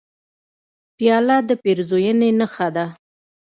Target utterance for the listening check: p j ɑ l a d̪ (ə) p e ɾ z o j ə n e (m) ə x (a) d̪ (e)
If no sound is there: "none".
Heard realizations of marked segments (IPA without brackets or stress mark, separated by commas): ə, n, a, a